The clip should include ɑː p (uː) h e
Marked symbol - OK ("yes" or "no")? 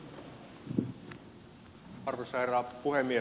no